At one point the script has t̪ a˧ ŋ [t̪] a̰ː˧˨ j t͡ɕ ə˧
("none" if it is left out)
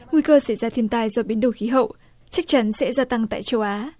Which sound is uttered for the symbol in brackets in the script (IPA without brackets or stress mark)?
t̪